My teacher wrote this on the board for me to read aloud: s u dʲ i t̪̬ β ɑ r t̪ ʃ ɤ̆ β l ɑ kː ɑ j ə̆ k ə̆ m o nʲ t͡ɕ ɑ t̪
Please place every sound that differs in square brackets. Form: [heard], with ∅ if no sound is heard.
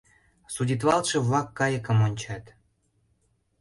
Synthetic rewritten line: s u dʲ i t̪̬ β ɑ [l] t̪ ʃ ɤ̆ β l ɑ kː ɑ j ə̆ k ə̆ m o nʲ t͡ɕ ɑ t̪